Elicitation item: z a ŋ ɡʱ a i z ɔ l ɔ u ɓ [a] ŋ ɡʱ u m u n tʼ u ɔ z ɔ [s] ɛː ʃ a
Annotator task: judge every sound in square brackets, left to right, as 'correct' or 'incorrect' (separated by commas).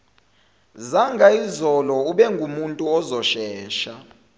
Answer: incorrect, incorrect